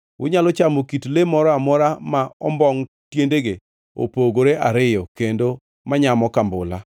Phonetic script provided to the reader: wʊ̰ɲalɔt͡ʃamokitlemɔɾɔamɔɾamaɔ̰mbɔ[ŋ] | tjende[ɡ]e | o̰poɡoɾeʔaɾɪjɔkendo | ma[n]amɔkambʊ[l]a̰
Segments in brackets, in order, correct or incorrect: correct, correct, incorrect, correct

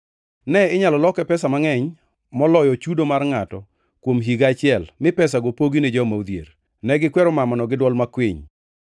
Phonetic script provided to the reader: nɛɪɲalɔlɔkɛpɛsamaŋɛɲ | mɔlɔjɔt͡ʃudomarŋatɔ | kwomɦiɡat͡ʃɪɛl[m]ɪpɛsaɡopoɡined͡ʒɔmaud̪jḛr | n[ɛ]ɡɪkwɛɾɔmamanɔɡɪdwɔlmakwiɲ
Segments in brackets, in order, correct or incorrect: correct, correct

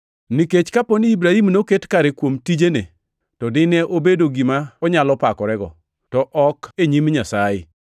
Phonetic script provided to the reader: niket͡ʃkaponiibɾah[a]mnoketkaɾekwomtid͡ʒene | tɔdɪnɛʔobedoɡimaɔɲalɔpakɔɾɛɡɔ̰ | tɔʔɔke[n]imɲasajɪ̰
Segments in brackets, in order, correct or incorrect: incorrect, incorrect

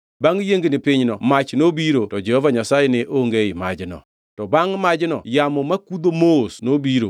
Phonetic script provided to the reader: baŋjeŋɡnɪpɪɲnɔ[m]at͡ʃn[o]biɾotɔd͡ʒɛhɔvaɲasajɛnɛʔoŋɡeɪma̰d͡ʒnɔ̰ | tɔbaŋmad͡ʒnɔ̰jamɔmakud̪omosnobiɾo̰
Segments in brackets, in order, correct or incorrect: correct, correct

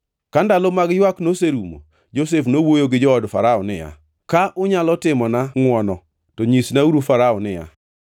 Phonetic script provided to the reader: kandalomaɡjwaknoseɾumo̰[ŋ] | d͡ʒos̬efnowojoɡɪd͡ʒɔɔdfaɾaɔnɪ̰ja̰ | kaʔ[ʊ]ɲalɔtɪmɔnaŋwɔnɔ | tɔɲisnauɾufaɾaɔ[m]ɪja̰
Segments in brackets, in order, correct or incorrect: incorrect, correct, incorrect

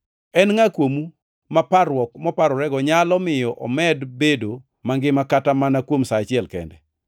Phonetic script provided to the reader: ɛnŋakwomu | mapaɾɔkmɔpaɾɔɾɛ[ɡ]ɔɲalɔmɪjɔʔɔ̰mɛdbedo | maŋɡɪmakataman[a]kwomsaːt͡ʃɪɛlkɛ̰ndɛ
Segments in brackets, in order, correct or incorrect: correct, correct

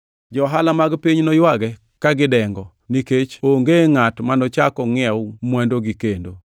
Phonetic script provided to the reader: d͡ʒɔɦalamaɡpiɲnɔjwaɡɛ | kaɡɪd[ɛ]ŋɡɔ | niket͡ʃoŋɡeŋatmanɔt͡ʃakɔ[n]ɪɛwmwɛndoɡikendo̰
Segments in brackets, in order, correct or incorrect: correct, incorrect

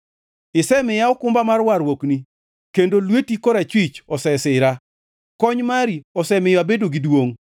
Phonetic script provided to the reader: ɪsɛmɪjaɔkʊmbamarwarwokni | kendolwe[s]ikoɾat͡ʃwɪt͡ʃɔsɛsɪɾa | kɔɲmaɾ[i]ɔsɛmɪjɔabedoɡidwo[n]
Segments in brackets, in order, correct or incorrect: incorrect, correct, incorrect

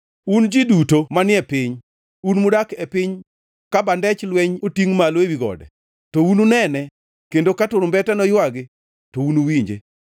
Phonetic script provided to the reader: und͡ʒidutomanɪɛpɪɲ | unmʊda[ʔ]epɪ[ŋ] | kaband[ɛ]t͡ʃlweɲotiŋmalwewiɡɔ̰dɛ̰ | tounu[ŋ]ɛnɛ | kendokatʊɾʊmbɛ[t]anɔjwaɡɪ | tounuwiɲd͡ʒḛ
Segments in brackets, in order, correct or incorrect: incorrect, incorrect, correct, incorrect, correct

